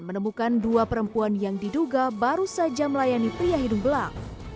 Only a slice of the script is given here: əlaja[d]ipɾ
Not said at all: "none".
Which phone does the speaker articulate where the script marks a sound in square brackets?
n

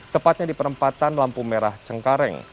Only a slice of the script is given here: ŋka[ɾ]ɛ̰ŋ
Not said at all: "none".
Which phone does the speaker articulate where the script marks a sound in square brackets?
ɾ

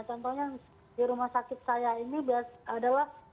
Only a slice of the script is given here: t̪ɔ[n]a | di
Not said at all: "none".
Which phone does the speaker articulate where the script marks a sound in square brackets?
ɲ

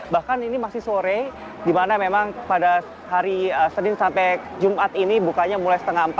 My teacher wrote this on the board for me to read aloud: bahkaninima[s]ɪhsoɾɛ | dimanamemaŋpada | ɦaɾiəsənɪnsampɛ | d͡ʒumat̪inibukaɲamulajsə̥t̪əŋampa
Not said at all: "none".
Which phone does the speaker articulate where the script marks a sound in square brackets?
s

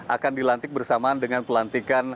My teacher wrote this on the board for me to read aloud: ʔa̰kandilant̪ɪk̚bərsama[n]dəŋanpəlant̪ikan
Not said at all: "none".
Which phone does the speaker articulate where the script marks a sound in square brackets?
n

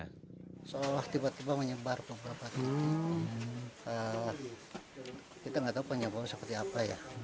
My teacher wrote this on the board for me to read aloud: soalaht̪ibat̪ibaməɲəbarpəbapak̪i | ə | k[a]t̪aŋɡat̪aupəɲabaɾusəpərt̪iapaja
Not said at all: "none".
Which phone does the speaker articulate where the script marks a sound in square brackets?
i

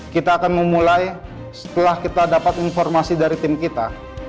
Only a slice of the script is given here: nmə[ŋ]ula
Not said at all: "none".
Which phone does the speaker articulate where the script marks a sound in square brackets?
m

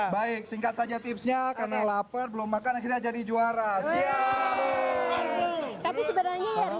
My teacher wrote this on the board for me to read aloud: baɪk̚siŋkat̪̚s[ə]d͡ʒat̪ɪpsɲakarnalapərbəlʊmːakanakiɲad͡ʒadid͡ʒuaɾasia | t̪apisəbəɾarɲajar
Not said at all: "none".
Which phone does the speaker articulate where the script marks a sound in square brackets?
a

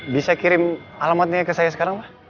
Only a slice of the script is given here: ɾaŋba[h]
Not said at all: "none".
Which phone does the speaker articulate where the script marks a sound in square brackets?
h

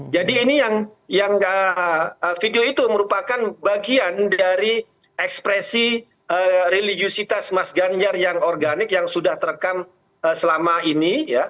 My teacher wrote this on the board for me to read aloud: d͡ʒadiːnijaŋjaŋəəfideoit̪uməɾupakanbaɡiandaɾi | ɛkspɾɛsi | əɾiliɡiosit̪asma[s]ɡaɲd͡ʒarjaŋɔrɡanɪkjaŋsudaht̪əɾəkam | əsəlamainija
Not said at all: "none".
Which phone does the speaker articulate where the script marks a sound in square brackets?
s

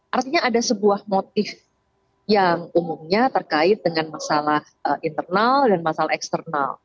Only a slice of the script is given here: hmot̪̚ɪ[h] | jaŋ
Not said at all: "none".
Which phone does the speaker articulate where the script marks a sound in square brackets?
f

